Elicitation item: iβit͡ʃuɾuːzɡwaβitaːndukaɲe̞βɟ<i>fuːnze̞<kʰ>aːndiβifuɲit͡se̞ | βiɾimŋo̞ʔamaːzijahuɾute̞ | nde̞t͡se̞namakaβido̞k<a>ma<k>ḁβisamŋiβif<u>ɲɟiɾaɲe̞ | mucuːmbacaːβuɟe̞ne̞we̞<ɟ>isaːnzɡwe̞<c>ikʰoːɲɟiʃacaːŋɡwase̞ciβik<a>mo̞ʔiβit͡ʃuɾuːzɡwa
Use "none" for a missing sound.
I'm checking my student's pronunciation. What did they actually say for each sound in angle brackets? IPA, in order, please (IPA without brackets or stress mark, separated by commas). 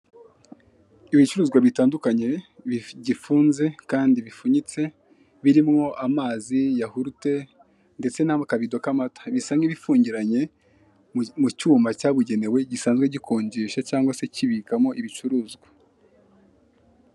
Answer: i, k, a, t, uː, ɟ, ɟ, a